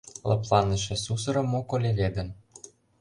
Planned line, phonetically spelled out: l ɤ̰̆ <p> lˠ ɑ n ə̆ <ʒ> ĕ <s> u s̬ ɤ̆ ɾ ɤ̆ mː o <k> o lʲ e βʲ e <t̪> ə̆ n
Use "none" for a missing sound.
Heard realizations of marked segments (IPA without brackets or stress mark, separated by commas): p, ʃ, s, k, d̪